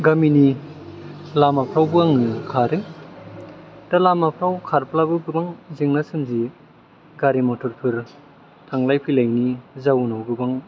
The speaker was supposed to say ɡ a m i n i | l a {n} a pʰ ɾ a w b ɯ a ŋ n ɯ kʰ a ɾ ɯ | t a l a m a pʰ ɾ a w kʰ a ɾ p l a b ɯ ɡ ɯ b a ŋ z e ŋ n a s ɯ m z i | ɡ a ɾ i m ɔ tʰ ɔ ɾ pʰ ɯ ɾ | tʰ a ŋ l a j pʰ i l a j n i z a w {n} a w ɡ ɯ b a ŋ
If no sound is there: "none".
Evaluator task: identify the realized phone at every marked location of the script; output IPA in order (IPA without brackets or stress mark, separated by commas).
m, n